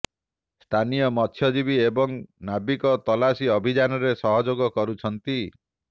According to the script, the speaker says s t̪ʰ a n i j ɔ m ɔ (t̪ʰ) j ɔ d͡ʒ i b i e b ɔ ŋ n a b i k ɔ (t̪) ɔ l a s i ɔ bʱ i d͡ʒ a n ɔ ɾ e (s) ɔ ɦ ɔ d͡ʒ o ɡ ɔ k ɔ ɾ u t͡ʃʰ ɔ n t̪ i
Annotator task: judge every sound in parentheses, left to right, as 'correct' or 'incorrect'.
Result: correct, correct, correct

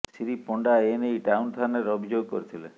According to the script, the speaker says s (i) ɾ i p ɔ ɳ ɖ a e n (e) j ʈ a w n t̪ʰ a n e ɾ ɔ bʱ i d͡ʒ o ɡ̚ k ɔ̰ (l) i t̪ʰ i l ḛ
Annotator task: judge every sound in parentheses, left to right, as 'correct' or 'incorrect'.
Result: correct, correct, incorrect: ɾ

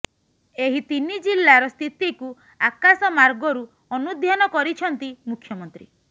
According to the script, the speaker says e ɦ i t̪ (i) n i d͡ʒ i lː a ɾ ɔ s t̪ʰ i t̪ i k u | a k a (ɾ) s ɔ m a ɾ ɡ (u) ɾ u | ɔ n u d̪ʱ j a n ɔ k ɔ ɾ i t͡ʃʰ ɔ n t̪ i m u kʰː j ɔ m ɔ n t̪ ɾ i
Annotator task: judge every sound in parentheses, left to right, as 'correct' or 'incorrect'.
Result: correct, incorrect: none, incorrect: ɔ

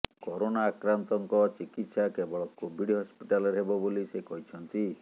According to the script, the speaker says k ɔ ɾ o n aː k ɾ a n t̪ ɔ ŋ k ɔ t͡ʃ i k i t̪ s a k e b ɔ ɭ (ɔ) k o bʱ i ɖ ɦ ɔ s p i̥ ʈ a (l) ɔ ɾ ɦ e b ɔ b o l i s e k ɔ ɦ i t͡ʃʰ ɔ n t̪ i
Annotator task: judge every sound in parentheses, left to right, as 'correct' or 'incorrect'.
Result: correct, correct

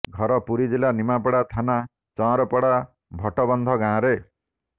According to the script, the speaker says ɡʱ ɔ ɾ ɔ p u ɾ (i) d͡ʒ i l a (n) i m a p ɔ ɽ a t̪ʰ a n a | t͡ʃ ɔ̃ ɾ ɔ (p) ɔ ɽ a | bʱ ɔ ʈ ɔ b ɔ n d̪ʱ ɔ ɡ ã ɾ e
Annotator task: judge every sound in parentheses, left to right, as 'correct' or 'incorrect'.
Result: correct, correct, correct

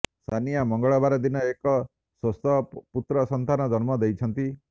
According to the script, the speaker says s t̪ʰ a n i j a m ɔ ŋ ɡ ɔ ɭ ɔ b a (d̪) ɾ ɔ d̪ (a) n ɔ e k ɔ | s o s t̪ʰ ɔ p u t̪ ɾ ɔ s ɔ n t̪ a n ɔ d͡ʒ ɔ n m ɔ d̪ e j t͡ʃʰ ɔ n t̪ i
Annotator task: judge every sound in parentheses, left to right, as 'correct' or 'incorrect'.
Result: incorrect: none, incorrect: i

